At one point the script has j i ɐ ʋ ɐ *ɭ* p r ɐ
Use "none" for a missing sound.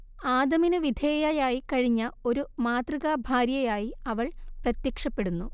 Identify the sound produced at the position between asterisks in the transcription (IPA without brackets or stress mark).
ɭ